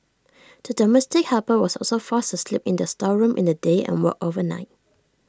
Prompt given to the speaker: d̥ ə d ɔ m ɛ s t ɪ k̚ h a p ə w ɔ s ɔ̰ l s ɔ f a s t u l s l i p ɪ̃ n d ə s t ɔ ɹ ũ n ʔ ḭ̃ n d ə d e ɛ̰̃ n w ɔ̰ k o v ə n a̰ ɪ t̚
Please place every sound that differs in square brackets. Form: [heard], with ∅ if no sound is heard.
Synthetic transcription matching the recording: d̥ ə d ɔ m ɛ s t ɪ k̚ h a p ə w ɔ s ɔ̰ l s [o] f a s t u [∅] s l i p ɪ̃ n d ə s t ɔ ɹ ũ [m] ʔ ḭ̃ n d ə d e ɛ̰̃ n w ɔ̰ k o v ə n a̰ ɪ t̚